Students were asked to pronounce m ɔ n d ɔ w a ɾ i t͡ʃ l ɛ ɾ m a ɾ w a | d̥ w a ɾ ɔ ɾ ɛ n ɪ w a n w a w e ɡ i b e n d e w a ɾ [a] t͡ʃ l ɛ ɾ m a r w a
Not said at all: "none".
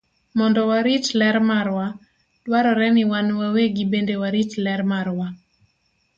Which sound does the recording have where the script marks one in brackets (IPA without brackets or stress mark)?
i